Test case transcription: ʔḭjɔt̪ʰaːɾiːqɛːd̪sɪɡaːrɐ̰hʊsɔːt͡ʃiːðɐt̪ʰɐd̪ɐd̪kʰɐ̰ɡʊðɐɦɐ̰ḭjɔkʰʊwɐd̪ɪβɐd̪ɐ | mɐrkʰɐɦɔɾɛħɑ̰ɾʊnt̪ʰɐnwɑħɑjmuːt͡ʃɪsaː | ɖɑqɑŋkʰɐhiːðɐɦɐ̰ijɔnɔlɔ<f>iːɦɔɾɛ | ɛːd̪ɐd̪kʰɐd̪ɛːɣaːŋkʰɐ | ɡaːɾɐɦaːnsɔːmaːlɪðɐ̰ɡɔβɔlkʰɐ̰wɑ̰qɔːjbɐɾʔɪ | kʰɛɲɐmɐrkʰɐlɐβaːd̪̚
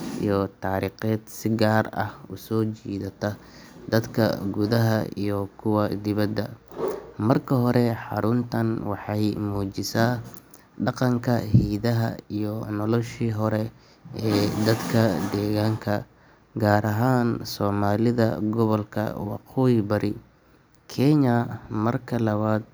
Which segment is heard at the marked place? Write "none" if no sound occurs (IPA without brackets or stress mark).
ʃ